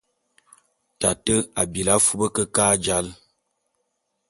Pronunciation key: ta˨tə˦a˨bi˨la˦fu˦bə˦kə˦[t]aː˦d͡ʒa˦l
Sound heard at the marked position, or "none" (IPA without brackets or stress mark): k